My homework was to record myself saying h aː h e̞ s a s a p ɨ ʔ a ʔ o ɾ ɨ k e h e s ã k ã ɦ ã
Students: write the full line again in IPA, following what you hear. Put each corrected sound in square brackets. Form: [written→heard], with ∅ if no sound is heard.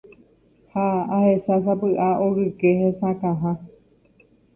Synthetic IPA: h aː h e̞ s a s a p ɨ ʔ a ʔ o ɾ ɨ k e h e s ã k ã ɦ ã